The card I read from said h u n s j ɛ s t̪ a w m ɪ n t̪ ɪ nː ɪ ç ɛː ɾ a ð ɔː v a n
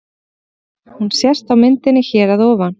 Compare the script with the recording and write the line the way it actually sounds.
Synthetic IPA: h u n s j ɛ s t̪ a w m ɪ n t̪ ɪ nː ɪ ç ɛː ɾ a ð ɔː v a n